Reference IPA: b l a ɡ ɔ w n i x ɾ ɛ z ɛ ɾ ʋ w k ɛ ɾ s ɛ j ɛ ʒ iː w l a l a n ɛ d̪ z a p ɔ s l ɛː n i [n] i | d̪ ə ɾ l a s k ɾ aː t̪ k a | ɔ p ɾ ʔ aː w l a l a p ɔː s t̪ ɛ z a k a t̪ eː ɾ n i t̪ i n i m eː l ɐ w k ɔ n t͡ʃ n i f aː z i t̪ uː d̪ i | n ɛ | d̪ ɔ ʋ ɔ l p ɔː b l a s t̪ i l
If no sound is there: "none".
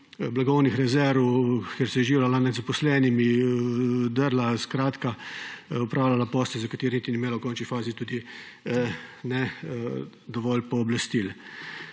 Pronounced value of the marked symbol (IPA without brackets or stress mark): m